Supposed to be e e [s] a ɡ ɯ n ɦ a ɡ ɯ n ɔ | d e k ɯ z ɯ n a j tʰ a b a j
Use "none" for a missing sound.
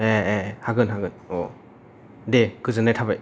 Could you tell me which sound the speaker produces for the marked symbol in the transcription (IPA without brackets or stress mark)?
h